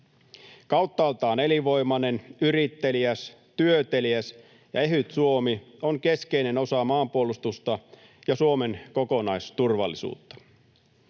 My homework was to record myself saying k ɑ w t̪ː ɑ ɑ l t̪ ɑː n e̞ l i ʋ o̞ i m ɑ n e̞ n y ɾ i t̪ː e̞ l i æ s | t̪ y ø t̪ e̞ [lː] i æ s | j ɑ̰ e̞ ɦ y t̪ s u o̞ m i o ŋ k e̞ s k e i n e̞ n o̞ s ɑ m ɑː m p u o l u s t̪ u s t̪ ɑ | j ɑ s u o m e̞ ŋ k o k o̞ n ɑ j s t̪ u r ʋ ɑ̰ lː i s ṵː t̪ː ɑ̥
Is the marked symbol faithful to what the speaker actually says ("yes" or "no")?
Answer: no